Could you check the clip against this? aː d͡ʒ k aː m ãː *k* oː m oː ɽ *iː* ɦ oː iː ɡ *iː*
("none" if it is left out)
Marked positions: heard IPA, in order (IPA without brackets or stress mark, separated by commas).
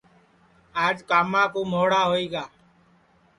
k, aː, aː